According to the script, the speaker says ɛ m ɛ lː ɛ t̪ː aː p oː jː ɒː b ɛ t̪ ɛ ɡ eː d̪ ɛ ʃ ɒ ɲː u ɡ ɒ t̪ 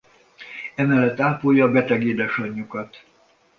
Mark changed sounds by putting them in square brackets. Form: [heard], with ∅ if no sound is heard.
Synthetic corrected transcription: ɛ m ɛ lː ɛ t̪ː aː p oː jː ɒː b ɛ t̪ ɛ ɡ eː d̪ ɛ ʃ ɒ ɲː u [k] ɒ t̪